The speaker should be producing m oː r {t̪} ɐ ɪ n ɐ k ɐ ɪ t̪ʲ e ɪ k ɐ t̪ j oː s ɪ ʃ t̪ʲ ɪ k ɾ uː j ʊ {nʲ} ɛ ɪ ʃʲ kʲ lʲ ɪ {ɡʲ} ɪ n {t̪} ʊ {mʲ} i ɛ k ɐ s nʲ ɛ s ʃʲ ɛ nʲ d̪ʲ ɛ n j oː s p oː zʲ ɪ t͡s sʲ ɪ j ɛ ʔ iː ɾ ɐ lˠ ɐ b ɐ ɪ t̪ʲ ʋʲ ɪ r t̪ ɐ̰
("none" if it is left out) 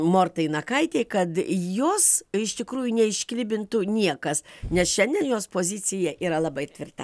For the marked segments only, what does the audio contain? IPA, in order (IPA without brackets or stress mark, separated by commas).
t̪, nʲ, bʲ, t̪, nʲ